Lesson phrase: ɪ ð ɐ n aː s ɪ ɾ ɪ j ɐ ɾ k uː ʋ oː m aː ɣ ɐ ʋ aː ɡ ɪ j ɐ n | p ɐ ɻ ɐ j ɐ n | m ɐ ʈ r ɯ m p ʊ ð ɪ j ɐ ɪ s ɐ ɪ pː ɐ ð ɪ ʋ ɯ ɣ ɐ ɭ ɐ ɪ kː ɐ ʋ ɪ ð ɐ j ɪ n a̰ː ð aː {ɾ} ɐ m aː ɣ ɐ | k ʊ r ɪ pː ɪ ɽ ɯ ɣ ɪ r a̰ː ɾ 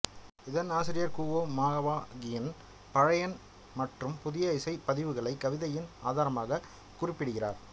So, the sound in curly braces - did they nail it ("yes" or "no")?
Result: yes